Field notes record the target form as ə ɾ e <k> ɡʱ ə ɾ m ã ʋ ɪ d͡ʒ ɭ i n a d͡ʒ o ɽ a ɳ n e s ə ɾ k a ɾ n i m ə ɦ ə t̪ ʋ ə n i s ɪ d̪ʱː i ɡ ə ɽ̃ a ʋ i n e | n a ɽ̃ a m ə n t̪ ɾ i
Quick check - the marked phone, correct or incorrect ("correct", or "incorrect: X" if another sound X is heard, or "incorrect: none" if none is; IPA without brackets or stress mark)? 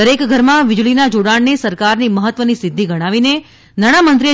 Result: correct